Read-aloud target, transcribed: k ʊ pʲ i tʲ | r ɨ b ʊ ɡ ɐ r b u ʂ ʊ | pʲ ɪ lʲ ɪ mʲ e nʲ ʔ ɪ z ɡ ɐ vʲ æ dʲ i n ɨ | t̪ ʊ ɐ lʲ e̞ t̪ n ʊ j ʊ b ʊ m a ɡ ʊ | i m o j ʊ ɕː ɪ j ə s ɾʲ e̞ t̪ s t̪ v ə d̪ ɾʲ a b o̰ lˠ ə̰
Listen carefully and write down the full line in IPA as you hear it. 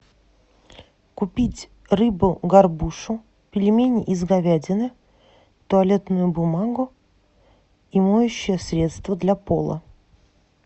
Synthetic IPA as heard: k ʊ pʲ i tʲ | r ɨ b ʊ ɡ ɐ r b u ʂ ʊ | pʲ ɪ lʲ ɪ mʲ e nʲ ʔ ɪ z ɡ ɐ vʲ æ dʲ ɪ n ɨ | t̪ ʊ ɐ lʲ e̞ t̪ n ʊ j ʊ b ʊ m a ɡ ʊ | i m o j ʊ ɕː ɪ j ə s ɾʲ e̞ t̪ s t̪ v ə d̪ lʲ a p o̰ lˠ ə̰

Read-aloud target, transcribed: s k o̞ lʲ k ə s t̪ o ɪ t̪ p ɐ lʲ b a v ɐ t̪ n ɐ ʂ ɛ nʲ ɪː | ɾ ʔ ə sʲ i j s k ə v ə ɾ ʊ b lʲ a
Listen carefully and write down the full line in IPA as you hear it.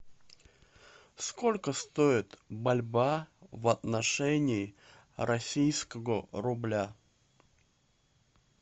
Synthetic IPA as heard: s k o̞ lʲ k ə s t̪ o ɪ t̪ b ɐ lʲ b a v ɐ t̪ n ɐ ʂ ɛ nʲ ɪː | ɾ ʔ ɐ sʲ i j s k ə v ə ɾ ʊ b lʲ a

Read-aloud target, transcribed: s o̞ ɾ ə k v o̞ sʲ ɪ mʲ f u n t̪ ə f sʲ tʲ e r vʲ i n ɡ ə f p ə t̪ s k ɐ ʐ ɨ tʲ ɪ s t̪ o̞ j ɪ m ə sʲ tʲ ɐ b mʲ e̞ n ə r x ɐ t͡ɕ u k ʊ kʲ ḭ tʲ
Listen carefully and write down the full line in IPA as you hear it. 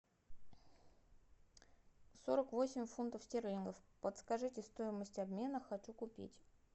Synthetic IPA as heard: s o̞ ɾ ə k v o̞ sʲ ɪ mʲ f u n t̪ ə f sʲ tʲ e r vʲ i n ɡ ə f p ə t̪ s k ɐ ʐ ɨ tʲ ɪ s t̪ o̞ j ɪ m ə sʲ tʲ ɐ b mʲ e̞ n ə x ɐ t͡ɕ u k ʊ pʲ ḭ tʲ

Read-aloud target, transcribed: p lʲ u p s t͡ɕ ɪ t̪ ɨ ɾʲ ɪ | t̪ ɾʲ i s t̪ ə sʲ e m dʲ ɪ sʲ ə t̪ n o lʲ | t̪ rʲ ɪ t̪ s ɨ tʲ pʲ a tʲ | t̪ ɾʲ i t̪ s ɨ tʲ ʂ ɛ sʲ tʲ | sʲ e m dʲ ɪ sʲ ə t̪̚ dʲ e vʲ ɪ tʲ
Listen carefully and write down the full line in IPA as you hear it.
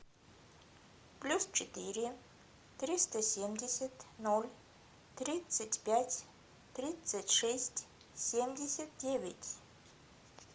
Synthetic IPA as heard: p lʲ u s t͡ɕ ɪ t̪ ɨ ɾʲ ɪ | t̪ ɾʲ i s t̪ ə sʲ e m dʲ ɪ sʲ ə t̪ n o lʲ | t̪ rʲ i t̪ s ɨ tʲ pʲ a tʲ | t̪ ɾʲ i t̪ s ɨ tʲ ʂ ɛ sʲ tʲ | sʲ e m dʲ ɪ sʲ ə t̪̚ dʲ e vʲ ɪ tʲ

